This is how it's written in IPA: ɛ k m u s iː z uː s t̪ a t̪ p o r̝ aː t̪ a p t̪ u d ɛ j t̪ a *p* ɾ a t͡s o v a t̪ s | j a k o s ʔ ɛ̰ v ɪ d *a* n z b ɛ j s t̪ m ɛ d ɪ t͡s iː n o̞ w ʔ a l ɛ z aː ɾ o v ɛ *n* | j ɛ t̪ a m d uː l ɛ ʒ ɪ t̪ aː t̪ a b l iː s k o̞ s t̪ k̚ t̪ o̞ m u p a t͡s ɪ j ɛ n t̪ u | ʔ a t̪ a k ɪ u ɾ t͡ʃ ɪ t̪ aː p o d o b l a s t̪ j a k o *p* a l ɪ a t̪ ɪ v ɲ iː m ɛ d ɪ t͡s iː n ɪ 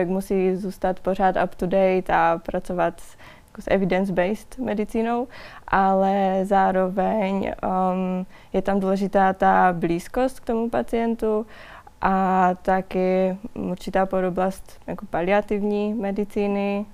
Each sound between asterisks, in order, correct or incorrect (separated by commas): correct, incorrect, incorrect, correct